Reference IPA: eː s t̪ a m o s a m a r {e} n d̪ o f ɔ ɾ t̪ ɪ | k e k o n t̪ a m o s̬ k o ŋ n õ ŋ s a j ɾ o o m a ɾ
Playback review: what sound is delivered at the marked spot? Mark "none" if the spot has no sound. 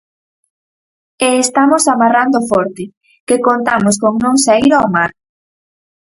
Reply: a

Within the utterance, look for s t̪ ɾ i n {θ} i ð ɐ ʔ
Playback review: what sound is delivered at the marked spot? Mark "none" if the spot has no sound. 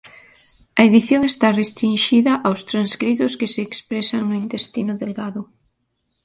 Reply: ʃ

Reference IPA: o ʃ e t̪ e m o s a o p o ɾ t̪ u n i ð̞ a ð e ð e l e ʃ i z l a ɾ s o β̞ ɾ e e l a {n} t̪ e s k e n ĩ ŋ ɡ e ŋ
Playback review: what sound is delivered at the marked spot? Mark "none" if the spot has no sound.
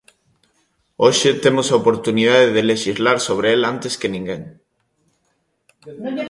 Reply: n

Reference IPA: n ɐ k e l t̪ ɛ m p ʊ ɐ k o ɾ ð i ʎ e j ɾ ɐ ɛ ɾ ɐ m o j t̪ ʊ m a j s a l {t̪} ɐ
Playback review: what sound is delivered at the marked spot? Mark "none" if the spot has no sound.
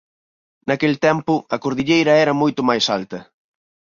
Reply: t̪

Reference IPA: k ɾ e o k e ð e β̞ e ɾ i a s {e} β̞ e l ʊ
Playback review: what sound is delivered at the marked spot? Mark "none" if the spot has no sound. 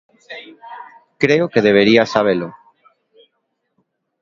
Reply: a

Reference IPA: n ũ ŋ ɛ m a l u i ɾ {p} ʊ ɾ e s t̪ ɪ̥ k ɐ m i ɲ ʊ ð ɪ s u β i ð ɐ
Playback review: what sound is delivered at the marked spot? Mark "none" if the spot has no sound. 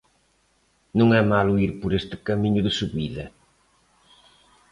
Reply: p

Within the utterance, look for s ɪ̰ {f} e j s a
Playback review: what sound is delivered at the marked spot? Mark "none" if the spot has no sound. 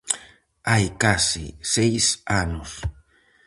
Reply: s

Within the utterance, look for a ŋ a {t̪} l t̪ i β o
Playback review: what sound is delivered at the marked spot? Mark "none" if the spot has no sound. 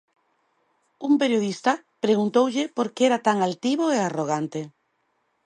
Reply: none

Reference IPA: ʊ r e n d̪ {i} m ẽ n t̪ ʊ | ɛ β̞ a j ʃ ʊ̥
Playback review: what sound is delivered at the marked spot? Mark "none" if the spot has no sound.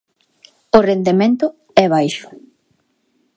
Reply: e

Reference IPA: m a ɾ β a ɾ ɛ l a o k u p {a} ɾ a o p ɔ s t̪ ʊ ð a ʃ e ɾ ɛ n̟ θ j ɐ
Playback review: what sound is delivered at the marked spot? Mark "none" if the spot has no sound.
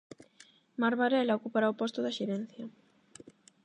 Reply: a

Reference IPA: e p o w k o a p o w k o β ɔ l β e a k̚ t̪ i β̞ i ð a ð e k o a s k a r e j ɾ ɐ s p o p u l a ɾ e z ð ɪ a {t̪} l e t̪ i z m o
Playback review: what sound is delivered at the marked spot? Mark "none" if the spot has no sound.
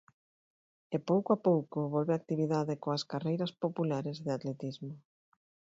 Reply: t̪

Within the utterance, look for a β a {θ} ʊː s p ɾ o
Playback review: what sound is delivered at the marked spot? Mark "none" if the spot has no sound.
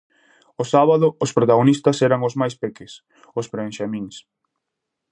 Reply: ð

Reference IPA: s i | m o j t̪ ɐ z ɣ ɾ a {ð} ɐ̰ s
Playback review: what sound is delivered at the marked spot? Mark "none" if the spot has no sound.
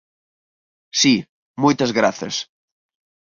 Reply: θ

